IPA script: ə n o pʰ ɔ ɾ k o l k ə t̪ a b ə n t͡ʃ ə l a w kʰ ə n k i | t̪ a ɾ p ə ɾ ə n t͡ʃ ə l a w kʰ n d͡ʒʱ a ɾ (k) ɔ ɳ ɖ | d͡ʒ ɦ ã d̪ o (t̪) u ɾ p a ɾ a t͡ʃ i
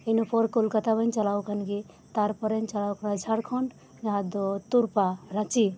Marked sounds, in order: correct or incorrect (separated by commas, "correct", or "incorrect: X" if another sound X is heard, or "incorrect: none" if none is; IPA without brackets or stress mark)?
incorrect: kʰ, correct